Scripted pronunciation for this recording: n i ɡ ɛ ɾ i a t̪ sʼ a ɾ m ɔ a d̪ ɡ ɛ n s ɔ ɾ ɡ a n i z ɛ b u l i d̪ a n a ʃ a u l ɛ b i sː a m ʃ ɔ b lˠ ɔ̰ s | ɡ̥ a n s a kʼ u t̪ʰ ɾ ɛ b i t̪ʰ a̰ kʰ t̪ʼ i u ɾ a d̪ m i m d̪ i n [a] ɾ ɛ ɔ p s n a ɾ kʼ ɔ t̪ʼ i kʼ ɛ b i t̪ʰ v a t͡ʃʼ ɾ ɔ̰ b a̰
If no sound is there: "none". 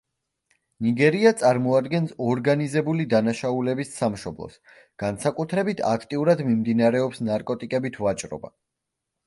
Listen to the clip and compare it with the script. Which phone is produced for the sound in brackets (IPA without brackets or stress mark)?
a